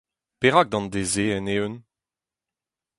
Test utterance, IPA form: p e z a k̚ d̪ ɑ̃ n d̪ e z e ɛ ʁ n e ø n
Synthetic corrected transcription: p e ʁ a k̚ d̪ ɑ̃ n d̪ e z e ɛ n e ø n